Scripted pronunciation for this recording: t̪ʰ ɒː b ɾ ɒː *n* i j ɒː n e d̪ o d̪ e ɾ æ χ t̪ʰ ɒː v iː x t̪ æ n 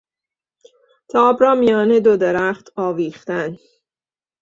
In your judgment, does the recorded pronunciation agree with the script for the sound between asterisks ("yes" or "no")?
no